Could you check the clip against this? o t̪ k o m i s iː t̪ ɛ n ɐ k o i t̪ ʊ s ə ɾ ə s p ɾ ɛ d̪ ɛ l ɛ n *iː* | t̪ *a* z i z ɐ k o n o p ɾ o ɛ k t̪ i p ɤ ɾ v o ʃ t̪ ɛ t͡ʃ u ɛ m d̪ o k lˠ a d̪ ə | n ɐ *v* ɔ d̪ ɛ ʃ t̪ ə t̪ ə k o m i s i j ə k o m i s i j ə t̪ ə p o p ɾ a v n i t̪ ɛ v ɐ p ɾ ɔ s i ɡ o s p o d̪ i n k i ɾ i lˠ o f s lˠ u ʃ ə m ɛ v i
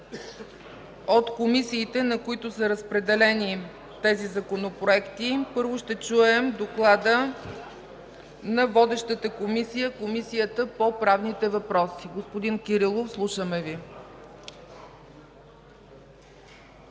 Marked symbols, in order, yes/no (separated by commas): no, no, yes